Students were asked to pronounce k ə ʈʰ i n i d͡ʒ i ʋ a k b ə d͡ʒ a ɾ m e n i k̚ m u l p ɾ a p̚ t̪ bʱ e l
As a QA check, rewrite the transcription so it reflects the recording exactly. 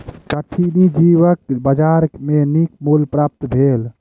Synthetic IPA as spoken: k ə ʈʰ i n i d͡ʒ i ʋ ə k b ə d͡ʒ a ɾ m e n i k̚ m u l p ɾ a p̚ t̪ bʱ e l